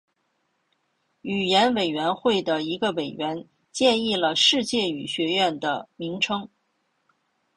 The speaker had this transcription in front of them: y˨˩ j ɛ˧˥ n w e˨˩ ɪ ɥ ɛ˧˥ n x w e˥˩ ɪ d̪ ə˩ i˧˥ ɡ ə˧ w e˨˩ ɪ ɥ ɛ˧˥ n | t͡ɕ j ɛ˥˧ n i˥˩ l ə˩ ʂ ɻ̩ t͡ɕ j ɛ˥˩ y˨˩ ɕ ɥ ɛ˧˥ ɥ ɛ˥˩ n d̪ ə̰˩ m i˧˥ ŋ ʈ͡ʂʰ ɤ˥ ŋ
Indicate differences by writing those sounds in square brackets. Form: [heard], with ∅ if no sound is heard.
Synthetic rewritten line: y˨˩ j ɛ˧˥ n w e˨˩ ɪ ɥ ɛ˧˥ n x w e˥˩ ɪ d̪ ə˩ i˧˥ ɡ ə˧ w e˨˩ ɪ ɥ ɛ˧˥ n | t͡ɕ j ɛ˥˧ n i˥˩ l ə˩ ʂ ɻ̩ t͡ɕ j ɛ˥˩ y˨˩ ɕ ɥ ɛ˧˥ ɥ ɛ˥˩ n d̪ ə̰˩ m i˧˥ ŋ ʈ͡ʂʰ ɤ˥ ŋ